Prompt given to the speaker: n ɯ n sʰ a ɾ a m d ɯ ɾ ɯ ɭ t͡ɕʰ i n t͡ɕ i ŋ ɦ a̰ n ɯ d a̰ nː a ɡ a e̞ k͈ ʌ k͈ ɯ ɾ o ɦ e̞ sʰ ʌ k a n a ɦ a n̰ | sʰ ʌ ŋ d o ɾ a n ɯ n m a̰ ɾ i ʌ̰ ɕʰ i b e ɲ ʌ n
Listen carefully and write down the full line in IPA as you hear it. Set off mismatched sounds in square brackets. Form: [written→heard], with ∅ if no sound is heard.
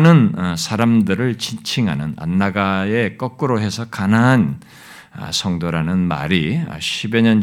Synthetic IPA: n ɯ n sʰ a ɾ a m d ɯ ɾ ɯ ɭ [t͡ɕʰ→t͡ɕ] i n [t͡ɕ→t͡ɕʰ] i ŋ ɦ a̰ n ɯ [d→n] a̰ nː a ɡ a e̞ k͈ ʌ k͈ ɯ ɾ o ɦ e̞ sʰ ʌ k a n a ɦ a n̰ | sʰ ʌ ŋ d o ɾ a n ɯ n m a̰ ɾ i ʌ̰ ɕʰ i b e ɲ ʌ n